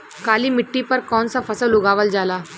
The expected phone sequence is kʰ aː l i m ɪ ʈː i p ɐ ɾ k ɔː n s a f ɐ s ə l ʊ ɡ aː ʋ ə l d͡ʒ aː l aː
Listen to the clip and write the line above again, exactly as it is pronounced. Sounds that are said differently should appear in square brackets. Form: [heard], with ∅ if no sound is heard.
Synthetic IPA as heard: [k] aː l i m ɪ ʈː i p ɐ ɾ k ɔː n s a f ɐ s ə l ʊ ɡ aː ʋ ə l d͡ʒ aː l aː